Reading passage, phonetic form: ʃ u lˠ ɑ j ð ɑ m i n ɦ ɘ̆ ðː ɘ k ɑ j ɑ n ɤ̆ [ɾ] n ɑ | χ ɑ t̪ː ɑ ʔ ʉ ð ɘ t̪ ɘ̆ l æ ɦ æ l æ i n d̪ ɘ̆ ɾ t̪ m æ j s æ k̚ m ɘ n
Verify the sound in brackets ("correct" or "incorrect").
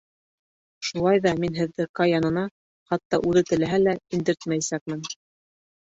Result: incorrect